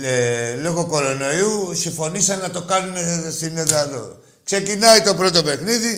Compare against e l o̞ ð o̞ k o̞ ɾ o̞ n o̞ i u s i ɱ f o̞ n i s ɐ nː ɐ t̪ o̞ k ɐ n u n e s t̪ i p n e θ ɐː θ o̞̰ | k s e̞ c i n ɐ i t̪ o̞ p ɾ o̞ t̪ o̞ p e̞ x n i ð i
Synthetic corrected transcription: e l o̞ ɣ o̞ k o̞ ɾ o̞ n o̞ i u s i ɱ f o̞ n i s ɐ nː ɐ t̪ o̞ k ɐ n u n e s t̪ i n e ð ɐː ð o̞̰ | k s e̞ c i n ɐ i t̪ o̞ p ɾ o̞ t̪ o̞ p e̞ x n i ð i